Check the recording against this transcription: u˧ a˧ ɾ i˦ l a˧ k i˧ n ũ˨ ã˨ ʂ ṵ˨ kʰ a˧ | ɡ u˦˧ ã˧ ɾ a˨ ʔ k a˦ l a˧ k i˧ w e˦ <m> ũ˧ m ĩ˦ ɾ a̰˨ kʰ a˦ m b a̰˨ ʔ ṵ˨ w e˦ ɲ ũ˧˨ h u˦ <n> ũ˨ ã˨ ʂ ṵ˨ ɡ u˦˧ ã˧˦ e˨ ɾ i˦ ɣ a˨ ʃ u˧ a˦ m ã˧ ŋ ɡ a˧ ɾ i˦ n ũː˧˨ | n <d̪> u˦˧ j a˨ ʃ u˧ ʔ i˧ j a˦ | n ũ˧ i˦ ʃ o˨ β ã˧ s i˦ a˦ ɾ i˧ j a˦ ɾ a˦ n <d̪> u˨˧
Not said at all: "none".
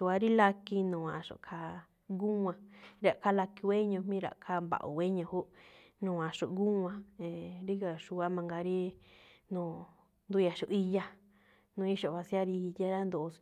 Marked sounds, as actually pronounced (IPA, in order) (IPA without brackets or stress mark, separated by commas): ɲ, n, d̪, d̪